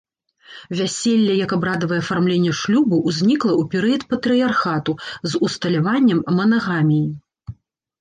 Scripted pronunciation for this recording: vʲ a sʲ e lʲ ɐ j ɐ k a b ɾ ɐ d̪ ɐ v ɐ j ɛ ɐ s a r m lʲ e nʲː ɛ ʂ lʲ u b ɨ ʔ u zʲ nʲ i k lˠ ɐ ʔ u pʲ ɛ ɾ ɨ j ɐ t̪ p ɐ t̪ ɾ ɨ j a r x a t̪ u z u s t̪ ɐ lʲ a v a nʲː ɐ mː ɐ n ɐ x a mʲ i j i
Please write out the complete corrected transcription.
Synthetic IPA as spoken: vʲ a sʲ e lʲː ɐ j ɐ k a b ɾ a d̪ ɐ v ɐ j ɛ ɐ f a r m lʲ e nʲː ɛ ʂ lʲ u b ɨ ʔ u zʲ nʲ i k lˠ ɐ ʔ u pʲ ɛ ɾ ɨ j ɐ t̪ p ɐ t̪ ɾ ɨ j a r x a t̪ u z u s t̪ ɐ lʲ a v a nʲː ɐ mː ɐ n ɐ ɣ a mʲ i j i